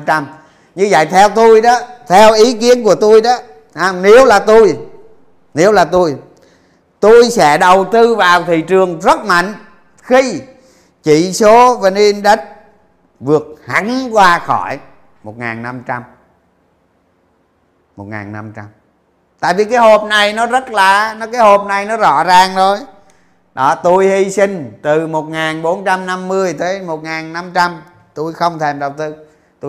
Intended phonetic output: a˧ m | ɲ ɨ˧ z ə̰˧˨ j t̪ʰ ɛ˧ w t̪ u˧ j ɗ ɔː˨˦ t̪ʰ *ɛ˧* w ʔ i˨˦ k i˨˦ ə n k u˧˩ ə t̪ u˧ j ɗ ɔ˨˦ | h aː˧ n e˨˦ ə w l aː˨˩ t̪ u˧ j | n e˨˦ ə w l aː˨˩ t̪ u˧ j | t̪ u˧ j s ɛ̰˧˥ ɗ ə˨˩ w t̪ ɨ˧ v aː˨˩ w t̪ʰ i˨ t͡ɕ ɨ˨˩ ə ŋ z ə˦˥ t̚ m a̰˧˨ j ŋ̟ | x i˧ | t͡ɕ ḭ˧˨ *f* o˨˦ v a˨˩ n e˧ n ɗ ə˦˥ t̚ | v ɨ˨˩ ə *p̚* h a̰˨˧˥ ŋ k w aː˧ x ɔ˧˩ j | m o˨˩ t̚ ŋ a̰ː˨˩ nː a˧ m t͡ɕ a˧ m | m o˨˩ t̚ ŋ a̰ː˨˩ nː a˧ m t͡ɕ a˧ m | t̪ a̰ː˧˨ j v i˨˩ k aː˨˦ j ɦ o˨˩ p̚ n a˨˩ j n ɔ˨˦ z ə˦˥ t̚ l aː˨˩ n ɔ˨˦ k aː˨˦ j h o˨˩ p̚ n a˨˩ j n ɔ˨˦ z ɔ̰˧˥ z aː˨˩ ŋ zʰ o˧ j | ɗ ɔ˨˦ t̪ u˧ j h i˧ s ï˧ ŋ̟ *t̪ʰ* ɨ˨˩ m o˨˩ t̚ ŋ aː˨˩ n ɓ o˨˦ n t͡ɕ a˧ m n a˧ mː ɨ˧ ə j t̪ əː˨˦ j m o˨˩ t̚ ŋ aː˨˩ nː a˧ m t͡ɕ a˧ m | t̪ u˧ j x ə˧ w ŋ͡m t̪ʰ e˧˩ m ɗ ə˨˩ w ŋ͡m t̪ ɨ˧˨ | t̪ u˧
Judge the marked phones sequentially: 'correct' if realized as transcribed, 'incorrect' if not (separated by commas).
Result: correct, incorrect, incorrect, incorrect